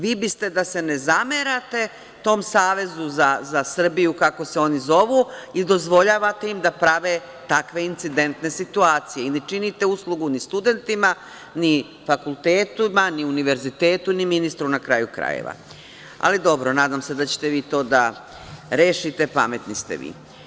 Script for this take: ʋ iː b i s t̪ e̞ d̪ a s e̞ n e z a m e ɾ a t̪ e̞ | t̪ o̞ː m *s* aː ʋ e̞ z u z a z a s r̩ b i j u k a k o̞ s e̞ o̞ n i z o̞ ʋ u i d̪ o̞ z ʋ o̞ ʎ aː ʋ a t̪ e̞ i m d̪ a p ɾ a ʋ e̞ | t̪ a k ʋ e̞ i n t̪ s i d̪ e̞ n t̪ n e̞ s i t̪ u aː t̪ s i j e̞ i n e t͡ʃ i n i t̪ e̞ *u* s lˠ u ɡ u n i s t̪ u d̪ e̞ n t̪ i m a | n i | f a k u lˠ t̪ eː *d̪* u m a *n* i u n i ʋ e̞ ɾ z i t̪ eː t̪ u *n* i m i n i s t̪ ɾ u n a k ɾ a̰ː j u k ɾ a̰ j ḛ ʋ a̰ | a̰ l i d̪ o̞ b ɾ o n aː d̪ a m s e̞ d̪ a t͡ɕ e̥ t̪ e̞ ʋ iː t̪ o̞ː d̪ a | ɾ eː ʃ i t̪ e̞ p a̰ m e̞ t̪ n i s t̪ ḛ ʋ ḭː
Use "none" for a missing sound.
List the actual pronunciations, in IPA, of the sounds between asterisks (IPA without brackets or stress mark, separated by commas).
s, u, t̪, n, n